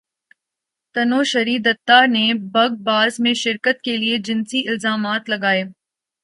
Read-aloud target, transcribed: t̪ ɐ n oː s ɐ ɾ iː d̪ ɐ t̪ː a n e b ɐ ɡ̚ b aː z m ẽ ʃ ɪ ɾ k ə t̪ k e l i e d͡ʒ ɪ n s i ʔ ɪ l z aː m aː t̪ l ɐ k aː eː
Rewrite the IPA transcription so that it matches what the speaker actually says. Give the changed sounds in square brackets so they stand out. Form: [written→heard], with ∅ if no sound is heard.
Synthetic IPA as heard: t̪ ɐ n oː [s→ʃ] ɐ ɾ iː d̪ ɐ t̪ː a n e b ɐ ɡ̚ b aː z m ẽ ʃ ɪ ɾ k ə t̪ k e l i e d͡ʒ ɪ n s i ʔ ɪ l z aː m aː t̪ l ɐ [k→ɡ] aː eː